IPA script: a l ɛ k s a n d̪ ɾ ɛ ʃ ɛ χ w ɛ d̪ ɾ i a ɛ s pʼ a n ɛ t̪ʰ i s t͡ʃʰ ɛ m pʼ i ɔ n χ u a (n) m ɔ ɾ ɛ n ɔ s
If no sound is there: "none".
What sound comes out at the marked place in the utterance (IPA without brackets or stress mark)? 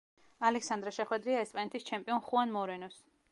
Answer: n